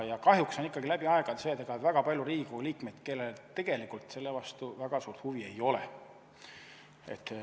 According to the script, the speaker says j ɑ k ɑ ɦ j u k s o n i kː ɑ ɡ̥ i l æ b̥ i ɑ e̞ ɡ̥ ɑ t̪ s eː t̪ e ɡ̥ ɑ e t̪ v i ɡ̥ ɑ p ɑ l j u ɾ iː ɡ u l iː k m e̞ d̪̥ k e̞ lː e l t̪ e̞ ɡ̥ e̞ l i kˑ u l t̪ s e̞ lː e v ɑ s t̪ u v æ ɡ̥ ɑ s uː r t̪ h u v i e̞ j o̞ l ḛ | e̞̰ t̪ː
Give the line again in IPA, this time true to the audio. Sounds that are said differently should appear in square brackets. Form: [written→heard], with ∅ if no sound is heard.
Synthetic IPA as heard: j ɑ k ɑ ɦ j u k s o n i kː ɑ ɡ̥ i l æ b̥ i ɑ e̞ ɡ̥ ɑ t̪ s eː t̪ e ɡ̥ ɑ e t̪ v [i→æ] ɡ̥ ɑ p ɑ l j u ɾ iː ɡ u l iː k m e̞ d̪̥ k e̞ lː e l t̪ e̞ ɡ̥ e̞ l i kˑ u l t̪ s e̞ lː e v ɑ s t̪ u v æ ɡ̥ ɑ s uː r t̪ h u v i e̞ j o̞ l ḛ | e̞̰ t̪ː